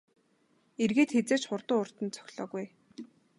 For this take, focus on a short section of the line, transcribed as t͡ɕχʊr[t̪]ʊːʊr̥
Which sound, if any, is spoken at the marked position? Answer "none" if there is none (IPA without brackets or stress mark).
t̪